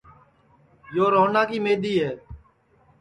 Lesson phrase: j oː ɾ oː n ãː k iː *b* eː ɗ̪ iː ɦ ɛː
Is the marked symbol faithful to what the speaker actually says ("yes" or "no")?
no